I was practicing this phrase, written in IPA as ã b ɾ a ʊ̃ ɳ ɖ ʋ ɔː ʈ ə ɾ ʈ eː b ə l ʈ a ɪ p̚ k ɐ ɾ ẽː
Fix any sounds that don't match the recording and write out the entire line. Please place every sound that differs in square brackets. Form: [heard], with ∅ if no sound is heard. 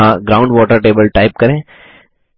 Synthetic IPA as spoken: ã [ɡ] ɾ a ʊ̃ ɳ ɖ ʋ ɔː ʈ ə ɾ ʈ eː b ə l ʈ a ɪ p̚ k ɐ ɾ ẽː